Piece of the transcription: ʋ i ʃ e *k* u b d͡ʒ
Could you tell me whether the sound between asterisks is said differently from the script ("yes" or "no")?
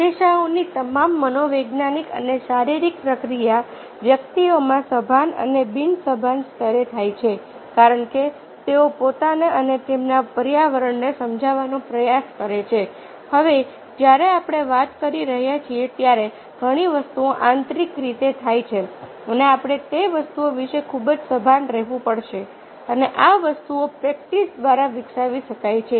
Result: yes